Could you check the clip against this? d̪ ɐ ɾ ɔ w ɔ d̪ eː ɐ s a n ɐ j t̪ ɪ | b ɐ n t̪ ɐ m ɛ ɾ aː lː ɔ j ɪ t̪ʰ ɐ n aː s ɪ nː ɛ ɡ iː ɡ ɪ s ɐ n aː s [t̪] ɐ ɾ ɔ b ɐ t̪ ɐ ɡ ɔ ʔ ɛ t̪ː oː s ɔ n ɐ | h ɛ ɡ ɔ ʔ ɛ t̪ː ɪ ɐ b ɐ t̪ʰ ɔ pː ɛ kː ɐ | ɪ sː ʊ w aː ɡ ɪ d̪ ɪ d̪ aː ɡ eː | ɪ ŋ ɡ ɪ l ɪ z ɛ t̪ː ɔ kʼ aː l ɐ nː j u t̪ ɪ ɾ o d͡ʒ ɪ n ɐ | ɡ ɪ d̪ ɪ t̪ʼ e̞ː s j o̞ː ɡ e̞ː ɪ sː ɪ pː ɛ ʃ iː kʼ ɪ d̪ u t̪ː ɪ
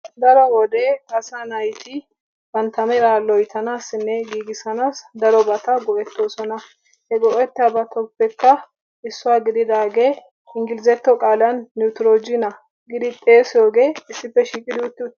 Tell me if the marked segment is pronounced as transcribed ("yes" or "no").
no